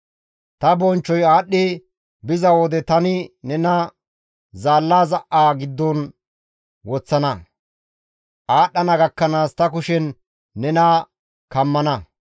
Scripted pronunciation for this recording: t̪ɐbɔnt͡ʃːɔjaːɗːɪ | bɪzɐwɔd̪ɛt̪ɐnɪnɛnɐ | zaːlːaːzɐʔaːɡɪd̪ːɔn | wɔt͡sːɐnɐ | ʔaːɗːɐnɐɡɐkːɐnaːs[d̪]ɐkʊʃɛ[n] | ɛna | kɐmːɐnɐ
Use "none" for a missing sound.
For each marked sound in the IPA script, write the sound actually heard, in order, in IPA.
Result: t̪, nː

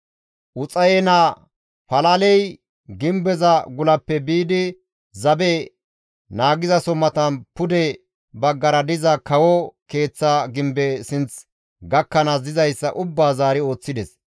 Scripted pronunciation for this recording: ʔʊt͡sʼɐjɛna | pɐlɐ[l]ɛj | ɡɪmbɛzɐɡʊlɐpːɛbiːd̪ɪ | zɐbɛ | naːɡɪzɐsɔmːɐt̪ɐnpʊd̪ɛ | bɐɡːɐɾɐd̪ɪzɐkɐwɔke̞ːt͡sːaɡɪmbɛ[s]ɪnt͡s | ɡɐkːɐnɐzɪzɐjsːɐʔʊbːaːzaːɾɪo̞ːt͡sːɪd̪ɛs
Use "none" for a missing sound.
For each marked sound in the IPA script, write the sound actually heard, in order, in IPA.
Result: l, s

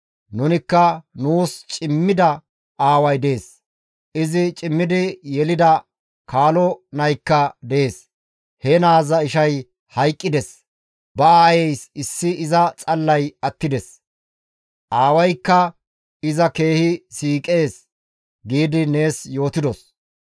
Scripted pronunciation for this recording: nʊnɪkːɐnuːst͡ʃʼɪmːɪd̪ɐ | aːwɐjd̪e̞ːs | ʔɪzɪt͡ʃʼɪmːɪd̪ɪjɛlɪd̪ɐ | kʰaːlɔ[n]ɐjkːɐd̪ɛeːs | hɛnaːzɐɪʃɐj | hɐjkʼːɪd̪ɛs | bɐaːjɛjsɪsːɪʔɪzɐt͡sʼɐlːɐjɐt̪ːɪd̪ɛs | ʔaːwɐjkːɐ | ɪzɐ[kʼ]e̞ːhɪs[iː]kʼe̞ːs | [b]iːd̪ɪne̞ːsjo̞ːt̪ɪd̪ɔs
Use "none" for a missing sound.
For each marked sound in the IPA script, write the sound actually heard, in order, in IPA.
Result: n, k, iː, ɡ

